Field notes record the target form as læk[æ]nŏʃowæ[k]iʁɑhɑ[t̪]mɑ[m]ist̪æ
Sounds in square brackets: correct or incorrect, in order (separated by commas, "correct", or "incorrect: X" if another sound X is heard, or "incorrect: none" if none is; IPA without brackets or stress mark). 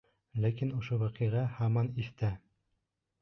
incorrect: i, incorrect: q, incorrect: none, incorrect: n